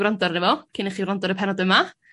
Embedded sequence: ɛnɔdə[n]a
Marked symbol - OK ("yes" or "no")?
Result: no